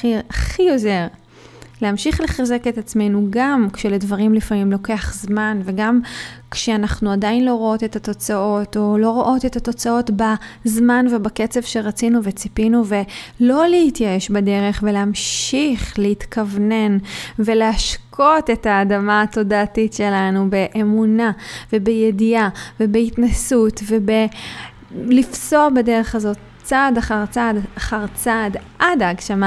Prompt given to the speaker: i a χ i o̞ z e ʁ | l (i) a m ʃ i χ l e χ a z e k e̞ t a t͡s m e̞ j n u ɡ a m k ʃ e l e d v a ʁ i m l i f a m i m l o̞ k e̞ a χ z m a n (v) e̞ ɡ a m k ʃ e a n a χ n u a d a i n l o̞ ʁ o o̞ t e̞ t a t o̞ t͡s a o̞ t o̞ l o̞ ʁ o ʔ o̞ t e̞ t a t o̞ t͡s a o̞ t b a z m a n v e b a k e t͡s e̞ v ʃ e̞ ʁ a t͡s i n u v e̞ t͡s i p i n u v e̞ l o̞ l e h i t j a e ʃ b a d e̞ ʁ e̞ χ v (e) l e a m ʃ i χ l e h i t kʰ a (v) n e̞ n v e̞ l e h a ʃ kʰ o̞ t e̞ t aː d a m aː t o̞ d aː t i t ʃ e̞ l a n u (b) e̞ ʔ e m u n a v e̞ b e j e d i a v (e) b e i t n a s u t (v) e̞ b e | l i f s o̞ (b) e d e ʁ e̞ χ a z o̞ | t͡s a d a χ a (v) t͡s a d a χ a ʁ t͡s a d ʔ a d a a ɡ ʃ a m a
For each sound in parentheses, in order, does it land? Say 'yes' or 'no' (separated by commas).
no, yes, yes, yes, yes, yes, yes, yes, no